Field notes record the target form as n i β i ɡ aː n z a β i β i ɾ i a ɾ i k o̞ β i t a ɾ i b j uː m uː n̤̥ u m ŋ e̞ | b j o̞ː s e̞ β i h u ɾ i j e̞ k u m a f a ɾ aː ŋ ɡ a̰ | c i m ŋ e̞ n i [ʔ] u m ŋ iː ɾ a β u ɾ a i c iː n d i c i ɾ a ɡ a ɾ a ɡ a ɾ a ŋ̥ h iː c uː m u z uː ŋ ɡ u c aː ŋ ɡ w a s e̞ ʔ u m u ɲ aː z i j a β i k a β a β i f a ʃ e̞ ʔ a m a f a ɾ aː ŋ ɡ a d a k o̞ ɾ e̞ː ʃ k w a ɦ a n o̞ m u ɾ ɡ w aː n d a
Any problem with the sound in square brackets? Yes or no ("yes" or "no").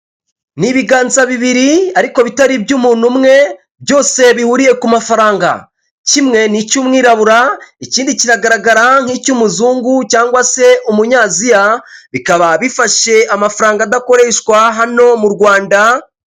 yes